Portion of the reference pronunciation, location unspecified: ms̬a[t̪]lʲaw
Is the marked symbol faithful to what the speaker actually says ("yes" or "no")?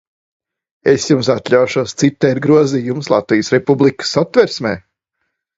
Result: yes